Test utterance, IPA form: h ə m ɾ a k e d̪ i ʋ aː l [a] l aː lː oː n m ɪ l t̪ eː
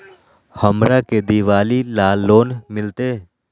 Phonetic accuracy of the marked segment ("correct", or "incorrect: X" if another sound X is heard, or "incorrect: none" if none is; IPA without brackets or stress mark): incorrect: i